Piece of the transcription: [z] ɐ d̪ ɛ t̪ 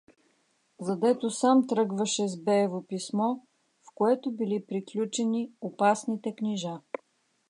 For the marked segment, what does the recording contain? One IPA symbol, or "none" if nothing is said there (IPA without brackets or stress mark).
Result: z